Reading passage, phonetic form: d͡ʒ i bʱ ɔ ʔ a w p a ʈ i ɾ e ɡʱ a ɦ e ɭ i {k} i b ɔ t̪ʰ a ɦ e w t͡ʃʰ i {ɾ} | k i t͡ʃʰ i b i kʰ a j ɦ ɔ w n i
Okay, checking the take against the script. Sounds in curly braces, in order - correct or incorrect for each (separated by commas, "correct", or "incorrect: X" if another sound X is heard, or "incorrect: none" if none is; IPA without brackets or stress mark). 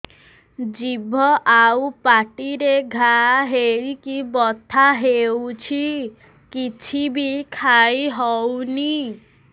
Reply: correct, incorrect: none